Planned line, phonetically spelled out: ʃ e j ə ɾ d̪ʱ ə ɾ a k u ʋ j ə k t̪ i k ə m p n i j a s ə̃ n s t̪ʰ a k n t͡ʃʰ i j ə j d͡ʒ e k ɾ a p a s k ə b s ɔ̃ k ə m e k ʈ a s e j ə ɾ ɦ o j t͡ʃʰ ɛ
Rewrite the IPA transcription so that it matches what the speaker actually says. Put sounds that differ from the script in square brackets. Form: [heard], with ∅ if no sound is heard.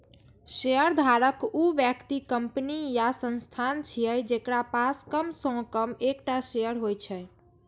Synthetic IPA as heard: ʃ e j ə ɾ d̪ʱ [a] ɾ [ə] k u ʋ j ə k t̪ i k ə m p n i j a s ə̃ n s t̪ʰ a [∅] n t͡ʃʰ i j ə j d͡ʒ e k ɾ a p a s k ə [m] s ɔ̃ k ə m e k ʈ a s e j ə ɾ ɦ o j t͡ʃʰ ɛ

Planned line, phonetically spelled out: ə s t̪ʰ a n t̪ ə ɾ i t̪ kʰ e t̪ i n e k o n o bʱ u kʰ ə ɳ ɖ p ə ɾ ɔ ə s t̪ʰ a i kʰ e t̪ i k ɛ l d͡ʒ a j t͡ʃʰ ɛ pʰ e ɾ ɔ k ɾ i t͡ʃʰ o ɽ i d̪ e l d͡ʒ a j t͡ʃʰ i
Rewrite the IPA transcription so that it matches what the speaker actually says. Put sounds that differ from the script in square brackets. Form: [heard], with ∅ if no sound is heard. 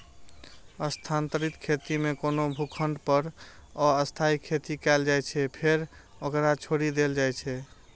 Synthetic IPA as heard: ə s t̪ʰ a n t̪ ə ɾ i t̪ kʰ e t̪ i [m] e k o n o bʱ u kʰ ə ɳ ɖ p ə ɾ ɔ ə s t̪ʰ a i kʰ e t̪ i k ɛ l d͡ʒ a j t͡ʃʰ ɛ pʰ e ɾ [o] k ɾ [a] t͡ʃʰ o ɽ i d̪ e l d͡ʒ a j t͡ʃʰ [ɛ]

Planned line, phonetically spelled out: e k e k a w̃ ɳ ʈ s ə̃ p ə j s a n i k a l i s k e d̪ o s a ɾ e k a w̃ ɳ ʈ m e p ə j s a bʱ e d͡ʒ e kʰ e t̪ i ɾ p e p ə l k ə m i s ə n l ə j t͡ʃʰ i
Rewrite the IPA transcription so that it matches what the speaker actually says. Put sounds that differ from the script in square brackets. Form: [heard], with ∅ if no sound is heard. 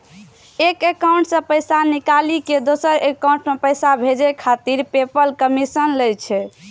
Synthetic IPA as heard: e k e k a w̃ ɳ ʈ s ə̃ p ə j s a n i k a l i [∅] k e d̪ o s [ə] ɾ e k a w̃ ɳ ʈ m e p ə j s a bʱ e d͡ʒ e kʰ [a] t̪ i ɾ p e p ə l k ə m i s ə n l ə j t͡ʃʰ [ɛ]

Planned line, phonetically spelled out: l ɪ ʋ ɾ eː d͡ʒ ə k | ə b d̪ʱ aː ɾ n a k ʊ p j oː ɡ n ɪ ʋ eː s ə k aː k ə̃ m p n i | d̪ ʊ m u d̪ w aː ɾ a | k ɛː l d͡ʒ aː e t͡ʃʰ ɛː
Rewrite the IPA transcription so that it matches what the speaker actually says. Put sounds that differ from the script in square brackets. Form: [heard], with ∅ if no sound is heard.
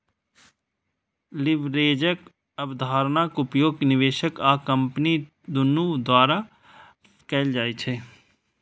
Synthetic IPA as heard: l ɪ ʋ ɾ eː d͡ʒ ə k | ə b d̪ʱ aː ɾ n a k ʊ p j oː ɡ n ɪ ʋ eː [ʃ] ə k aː k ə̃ m p n i | d̪ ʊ [n] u d̪ w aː ɾ a | k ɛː l d͡ʒ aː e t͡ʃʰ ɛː

